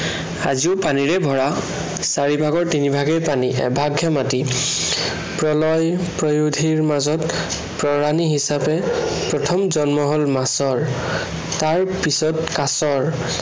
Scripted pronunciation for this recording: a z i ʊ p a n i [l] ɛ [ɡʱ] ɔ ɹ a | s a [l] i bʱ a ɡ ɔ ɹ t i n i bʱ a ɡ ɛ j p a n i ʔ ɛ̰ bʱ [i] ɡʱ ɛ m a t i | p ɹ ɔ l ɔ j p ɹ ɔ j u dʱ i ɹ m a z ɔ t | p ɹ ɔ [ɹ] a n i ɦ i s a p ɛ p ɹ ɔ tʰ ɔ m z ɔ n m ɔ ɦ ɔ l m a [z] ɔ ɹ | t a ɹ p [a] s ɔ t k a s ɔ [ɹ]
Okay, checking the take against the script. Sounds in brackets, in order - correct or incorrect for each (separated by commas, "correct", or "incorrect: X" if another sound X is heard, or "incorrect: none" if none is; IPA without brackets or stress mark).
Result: incorrect: ɹ, incorrect: bʱ, incorrect: ɹ, incorrect: a, correct, incorrect: s, incorrect: i, correct